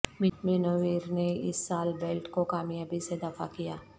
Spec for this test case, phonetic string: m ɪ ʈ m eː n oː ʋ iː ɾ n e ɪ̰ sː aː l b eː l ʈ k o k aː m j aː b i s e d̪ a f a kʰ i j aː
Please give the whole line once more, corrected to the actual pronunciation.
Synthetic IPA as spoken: m ɪ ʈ m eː n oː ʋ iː ɾ n e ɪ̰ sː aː l b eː l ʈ k o k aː m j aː b i s e d̪ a f a k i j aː